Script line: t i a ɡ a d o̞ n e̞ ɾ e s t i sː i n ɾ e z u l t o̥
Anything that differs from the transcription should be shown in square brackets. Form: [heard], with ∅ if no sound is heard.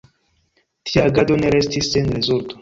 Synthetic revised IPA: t i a ɡ a d o̞ n e̞ ɾ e s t i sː [e] n ɾ e z u l t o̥